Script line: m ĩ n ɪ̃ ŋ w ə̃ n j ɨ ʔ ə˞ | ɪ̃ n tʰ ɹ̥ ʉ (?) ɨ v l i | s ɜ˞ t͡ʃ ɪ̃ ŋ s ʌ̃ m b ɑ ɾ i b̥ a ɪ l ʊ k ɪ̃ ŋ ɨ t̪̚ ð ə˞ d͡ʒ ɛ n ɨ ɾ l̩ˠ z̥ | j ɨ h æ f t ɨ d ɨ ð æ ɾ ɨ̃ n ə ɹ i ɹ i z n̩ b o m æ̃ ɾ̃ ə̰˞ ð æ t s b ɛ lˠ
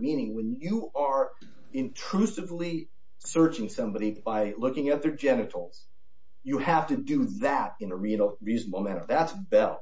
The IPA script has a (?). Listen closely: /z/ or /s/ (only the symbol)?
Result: s